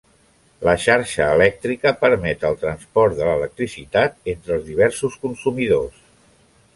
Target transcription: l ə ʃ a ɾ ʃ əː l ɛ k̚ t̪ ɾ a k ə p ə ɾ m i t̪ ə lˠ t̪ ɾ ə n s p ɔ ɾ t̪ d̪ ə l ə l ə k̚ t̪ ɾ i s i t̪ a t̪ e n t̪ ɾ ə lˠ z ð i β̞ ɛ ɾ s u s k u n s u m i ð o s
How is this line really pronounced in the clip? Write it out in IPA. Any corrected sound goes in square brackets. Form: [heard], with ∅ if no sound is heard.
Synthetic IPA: l ə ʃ a ɾ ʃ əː l ɛ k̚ t̪ ɾ [i] k ə p ə ɾ m [ɛ] t̪ ə lˠ t̪ ɾ ə n s p ɔ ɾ t̪ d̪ ə l ə l ə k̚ t̪ ɾ i s i t̪ a t̪ e n t̪ ɾ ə lˠ z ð i β̞ ɛ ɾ s u s k u n s u m i ð o s